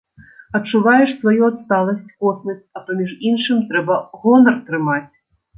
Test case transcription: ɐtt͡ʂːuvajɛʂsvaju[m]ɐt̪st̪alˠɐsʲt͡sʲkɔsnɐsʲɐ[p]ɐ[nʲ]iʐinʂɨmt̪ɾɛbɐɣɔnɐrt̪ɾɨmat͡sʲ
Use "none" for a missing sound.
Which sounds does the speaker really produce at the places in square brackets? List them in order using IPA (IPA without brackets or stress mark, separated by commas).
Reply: none, p, mʲ